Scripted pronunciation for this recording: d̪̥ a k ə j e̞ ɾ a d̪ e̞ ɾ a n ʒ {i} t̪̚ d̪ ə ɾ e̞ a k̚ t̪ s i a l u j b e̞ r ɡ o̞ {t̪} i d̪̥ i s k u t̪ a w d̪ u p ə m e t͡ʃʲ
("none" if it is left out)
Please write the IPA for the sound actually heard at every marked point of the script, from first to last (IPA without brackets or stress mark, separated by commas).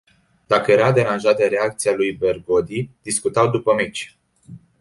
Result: a, d̪